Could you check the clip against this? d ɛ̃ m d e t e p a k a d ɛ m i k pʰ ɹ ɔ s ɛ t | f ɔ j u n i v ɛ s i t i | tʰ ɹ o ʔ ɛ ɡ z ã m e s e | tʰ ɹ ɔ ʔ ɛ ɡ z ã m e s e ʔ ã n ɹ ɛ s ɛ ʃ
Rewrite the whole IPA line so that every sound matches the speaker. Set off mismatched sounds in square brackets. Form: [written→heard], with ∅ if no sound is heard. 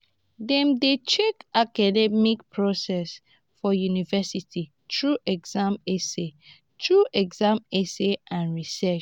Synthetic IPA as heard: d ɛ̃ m d e [t→t͡ʃ] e [p→k] a k a d ɛ m i k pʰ ɹ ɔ s ɛ [t→s] | f ɔ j u n i v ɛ s i t i | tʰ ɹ [o→u] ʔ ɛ ɡ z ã m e s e | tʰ ɹ [ɔ→u] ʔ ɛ ɡ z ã m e s e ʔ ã n ɹ [ɛ→i] s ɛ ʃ